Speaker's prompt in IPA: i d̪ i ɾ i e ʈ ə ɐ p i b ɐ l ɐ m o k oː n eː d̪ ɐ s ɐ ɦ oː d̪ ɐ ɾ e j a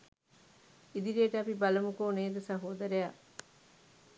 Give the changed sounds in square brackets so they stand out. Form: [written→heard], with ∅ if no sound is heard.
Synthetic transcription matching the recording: i d̪ i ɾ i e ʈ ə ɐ p i b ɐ l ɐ m [o→u] k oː n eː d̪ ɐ s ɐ ɦ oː d̪ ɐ ɾ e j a